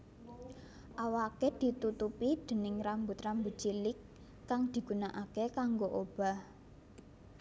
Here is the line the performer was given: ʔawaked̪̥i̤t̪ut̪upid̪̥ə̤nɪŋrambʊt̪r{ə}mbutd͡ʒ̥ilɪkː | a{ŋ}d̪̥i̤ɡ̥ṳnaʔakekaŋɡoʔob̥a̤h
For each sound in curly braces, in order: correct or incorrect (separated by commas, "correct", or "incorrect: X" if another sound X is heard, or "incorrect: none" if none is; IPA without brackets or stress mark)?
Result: incorrect: a, correct